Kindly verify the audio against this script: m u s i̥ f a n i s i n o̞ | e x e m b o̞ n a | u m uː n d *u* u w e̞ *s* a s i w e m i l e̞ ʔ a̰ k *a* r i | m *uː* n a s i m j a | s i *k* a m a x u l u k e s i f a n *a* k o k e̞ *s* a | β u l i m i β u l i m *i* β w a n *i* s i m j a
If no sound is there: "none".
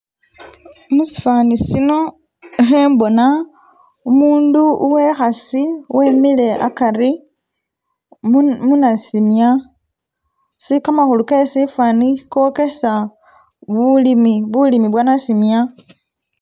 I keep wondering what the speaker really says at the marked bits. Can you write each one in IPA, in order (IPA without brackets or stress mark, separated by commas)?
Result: u, x, a, u, k, i, s, i, a